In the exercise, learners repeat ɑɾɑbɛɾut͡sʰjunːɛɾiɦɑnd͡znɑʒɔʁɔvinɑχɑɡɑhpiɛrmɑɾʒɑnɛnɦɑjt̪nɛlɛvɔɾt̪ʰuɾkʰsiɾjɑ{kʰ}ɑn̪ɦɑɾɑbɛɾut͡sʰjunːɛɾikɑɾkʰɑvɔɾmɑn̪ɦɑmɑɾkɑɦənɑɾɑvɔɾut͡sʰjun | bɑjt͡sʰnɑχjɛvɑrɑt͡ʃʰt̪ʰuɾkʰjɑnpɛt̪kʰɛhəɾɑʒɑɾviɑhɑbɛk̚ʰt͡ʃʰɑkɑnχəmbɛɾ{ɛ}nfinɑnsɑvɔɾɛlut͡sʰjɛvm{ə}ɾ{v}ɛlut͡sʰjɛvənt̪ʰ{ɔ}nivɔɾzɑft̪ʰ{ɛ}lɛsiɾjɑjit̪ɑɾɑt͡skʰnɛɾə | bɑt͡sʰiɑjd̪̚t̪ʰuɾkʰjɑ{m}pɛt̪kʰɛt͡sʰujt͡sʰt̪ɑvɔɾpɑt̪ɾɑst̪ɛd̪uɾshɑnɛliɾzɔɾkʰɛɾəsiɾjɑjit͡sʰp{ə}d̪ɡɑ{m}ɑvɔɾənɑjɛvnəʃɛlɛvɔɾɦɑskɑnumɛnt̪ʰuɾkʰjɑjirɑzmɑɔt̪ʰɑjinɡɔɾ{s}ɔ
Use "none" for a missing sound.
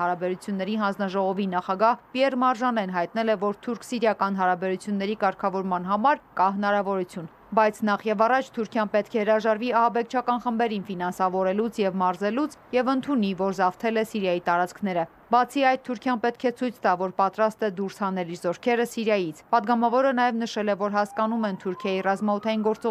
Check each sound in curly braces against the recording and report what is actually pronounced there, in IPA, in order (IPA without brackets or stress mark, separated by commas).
k, i, ɑ, z, u, ɛ, n, ɑ, m, t͡s